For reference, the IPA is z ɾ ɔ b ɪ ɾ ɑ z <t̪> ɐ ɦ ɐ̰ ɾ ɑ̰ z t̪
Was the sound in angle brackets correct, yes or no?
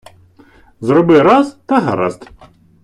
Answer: yes